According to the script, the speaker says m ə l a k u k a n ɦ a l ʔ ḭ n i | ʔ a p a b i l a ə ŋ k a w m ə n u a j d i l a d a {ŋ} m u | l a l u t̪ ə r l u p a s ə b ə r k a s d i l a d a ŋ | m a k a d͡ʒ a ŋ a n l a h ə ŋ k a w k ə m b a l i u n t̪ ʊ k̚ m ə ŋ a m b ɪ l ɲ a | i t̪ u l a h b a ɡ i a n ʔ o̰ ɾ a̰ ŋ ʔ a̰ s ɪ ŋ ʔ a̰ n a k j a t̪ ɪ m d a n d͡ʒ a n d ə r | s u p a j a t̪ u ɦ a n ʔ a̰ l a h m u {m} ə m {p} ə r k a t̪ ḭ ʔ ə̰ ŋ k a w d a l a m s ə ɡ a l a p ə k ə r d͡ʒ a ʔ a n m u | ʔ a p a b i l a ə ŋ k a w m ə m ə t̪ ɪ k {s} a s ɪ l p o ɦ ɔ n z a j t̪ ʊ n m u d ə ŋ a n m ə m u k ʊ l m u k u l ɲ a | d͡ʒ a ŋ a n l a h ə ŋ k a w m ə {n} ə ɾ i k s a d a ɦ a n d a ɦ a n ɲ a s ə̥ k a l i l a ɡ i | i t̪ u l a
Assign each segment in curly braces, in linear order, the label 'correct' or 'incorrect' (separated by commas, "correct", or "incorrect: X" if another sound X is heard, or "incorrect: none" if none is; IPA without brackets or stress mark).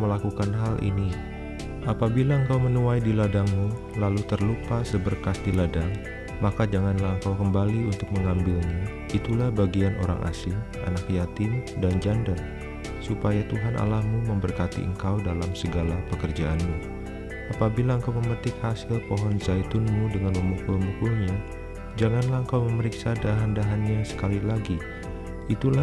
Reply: correct, correct, incorrect: b, incorrect: h, incorrect: m